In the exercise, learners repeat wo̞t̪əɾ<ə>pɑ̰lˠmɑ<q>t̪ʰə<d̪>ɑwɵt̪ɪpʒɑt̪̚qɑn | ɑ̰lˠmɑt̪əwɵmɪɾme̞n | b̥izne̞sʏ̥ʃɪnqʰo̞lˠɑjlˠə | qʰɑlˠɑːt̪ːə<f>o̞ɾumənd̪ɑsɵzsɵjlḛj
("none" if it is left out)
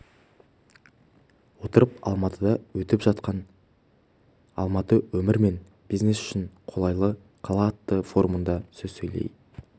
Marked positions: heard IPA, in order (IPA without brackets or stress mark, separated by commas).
ə, none, d̪, f